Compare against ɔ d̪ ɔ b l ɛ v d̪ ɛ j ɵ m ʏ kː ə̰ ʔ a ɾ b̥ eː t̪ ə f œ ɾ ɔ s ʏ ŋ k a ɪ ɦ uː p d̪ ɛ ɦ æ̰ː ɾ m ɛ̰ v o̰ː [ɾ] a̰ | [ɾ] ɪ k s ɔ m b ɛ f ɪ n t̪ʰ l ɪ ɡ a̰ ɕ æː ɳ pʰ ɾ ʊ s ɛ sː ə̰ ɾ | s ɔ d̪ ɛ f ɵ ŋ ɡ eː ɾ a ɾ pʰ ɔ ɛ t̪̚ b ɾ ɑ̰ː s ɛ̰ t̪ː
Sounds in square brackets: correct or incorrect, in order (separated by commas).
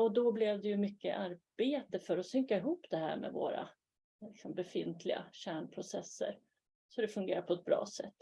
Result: correct, incorrect